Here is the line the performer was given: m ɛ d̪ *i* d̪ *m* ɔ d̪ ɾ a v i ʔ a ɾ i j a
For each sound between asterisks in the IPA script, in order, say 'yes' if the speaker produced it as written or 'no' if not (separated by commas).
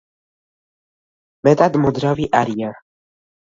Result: no, yes